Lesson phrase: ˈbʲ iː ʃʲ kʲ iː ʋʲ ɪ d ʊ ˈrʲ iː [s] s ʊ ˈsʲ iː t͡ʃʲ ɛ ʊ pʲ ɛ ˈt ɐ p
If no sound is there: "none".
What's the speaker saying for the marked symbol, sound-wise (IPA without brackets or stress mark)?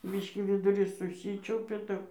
s